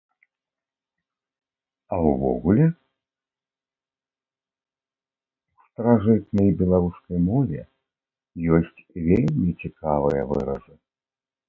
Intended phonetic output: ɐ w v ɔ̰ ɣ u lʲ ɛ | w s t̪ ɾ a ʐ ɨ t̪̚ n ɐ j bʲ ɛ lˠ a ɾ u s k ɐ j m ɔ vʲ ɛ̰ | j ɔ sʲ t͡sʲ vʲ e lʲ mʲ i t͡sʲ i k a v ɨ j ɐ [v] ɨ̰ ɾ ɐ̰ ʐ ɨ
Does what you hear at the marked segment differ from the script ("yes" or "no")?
no